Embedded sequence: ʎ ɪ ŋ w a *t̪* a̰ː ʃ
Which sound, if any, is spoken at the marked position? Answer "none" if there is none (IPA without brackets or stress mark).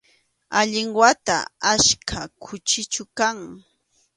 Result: t̪